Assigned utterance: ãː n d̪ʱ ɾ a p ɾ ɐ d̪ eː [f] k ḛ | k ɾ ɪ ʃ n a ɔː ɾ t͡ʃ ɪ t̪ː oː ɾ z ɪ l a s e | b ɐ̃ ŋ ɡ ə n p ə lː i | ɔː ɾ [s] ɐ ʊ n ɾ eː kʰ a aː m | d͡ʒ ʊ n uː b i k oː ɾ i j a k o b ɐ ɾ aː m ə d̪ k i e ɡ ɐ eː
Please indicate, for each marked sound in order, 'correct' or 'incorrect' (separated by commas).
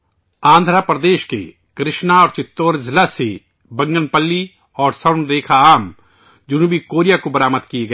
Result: incorrect, correct